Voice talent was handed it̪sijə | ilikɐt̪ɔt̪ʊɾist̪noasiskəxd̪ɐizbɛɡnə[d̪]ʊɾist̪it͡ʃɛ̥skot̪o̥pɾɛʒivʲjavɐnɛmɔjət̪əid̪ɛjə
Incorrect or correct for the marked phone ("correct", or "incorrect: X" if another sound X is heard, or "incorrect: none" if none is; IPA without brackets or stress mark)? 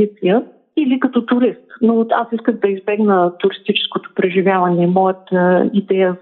incorrect: t̪